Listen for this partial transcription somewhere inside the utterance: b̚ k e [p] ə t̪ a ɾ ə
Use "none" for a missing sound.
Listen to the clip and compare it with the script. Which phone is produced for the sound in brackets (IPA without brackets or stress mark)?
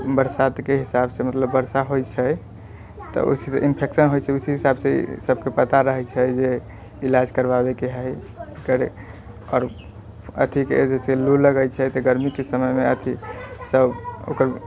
p